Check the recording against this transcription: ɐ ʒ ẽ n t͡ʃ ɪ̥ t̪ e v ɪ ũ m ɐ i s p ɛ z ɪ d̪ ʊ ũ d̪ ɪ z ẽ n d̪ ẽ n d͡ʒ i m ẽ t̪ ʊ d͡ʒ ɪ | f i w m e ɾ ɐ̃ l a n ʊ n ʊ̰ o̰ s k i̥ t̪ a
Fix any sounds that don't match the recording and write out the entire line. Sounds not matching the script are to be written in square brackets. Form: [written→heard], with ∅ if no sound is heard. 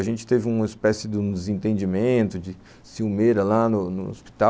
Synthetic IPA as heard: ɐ ʒ ẽ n t͡ʃ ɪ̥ t̪ e v ɪ ũ m ɐ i s p ɛ [z→s] ɪ d̪ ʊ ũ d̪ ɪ z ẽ n [d̪→t̪] ẽ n d͡ʒ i m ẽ t̪ ʊ d͡ʒ ɪ | [f→s] i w m e ɾ [ɐ̃→ɐ] l a n ʊ n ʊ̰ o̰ s [k→p] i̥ t̪ a